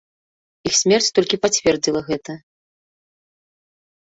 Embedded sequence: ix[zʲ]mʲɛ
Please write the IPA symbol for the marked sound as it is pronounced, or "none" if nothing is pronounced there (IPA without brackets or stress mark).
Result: sʲ